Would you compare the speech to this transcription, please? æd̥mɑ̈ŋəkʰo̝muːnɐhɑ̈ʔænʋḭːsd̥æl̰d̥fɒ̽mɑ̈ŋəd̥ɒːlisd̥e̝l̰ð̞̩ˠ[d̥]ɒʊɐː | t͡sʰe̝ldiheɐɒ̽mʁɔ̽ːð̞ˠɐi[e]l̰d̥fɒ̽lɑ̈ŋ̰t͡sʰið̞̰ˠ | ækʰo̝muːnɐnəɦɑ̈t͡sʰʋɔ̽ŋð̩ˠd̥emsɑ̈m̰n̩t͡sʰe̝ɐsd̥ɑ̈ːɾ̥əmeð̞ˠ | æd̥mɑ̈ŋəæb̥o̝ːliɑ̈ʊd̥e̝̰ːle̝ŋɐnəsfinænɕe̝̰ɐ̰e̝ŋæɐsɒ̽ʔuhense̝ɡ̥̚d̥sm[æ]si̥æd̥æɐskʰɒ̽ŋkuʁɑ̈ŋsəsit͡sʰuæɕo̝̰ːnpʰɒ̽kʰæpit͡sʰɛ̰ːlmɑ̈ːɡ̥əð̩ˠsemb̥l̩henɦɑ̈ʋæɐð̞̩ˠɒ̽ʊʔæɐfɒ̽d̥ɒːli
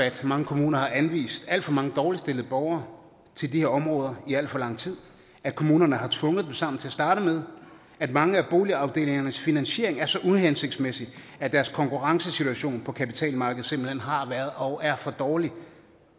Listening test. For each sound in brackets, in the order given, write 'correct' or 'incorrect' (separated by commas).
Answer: incorrect, incorrect, incorrect